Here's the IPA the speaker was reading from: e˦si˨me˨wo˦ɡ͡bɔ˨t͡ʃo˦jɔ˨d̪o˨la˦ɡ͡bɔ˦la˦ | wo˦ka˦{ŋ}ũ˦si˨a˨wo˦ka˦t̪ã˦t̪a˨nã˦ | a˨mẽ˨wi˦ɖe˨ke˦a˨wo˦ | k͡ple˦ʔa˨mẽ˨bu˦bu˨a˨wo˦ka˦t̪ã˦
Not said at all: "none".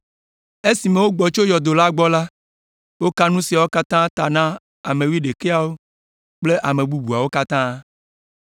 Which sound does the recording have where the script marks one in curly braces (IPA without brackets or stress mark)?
n